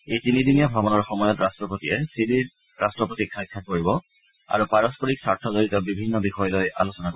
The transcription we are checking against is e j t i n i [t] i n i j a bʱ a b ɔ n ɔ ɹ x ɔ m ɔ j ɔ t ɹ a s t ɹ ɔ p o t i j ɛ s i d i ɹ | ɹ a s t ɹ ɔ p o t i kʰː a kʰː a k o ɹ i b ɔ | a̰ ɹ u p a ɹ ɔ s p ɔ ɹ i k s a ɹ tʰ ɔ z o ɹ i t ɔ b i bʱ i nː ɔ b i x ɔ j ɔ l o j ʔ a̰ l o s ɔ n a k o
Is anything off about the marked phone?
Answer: yes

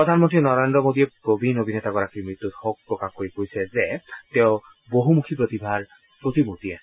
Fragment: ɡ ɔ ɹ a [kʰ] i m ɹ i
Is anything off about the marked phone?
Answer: yes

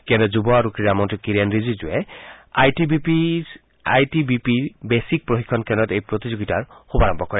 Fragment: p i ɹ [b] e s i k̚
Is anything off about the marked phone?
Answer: no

